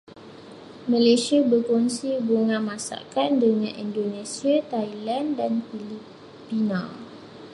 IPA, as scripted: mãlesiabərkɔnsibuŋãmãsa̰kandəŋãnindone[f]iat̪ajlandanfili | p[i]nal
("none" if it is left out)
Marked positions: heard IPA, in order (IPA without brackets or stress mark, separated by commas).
s, i